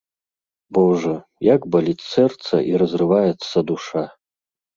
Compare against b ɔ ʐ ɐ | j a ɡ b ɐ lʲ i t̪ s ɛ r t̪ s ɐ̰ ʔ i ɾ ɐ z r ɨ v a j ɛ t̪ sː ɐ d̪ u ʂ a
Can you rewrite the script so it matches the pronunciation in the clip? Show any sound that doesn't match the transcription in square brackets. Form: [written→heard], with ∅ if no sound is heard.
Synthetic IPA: b ɔ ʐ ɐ | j a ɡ b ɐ lʲ i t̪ s ɛ r t̪ s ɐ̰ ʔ i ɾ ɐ z r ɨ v a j ɛ t̪ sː ɐ d̪ u ʂ a